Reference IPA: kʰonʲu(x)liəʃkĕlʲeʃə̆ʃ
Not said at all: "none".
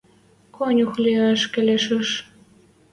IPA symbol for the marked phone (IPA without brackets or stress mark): x